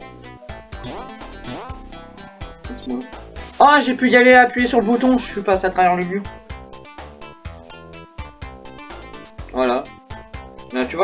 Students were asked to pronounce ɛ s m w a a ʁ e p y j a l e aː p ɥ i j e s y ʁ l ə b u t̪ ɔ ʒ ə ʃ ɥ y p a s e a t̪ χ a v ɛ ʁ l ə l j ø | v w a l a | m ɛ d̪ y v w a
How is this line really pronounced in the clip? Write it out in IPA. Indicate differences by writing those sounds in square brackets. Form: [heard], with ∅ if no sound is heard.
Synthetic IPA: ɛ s m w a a [ʒ] e p y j a l e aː p ɥ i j e s y ʁ l ə b u t̪ [ɔ̃] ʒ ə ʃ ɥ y p a s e a t̪ χ a v ɛ ʁ l ə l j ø | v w a l a | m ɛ [t̪] y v w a